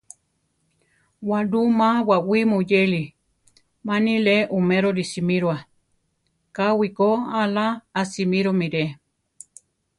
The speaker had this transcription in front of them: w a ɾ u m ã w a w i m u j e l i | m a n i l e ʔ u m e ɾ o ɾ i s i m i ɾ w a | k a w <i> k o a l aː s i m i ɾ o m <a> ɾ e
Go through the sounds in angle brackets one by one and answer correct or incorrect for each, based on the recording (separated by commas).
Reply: correct, incorrect